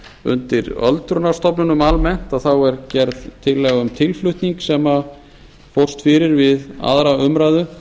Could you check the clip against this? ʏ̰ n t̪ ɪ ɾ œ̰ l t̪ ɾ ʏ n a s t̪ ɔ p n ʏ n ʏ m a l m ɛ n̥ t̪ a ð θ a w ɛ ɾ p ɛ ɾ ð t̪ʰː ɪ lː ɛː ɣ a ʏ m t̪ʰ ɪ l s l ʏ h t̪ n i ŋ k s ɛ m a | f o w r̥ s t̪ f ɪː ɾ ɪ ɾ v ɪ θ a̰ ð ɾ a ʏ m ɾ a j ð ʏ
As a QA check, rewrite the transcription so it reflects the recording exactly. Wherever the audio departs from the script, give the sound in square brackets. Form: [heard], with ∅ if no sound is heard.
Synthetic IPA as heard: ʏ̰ n t̪ ɪ ɾ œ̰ l t̪ ɾ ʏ n a s t̪ ɔ p n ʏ n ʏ m a l m ɛ n̥ t̪ a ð θ a w ɛ ɾ [c] ɛ ɾ ð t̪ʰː ɪ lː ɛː ɣ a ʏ m t̪ʰ ɪ l [f] l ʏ h t̪ n i ŋ k s ɛ m a | f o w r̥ s t̪ f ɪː ɾ ɪ ɾ v ɪ [ð] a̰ ð ɾ a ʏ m ɾ a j ð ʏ